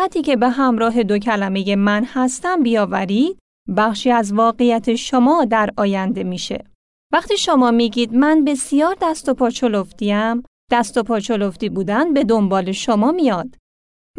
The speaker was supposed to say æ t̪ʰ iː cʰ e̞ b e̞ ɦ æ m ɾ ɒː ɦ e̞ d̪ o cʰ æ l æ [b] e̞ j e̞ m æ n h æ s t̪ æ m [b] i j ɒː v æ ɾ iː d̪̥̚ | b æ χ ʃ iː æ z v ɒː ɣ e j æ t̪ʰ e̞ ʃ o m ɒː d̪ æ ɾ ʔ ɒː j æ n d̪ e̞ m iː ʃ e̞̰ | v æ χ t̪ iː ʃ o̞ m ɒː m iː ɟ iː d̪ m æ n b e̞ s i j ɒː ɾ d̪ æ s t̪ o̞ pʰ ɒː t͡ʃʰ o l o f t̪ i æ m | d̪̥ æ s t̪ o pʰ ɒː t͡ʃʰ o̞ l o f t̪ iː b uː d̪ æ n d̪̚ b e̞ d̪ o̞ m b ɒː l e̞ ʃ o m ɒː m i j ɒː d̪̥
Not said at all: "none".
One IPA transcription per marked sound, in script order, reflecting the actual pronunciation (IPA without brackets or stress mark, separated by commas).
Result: m, b